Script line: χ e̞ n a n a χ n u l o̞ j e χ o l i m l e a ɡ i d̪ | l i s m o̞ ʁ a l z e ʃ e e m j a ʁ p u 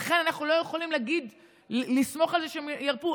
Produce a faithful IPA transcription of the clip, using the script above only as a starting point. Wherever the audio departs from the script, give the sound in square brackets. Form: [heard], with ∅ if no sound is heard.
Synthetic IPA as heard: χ e̞ n a n a χ n u l o̞ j e χ o l i m l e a ɡ i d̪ | l i s m o̞ [χ] a l z e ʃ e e m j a ʁ p u